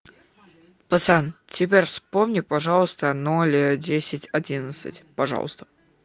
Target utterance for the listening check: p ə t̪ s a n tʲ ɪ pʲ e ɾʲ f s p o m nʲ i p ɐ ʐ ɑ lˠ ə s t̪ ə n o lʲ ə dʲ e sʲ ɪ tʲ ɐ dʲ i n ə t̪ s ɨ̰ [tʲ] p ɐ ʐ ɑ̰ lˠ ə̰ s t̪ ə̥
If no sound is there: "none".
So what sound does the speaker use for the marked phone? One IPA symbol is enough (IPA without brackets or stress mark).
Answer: tʲ